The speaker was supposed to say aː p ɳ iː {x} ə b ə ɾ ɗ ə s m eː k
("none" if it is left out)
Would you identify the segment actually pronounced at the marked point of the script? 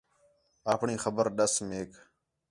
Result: x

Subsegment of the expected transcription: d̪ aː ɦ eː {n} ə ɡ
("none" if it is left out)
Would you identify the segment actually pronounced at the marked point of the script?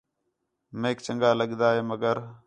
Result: m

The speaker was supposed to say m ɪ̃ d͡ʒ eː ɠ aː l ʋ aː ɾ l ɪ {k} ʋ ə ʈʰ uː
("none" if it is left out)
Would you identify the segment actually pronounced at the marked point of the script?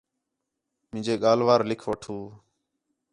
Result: kʰ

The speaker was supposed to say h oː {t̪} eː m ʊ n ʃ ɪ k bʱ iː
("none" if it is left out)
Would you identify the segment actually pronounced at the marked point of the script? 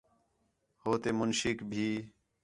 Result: t̪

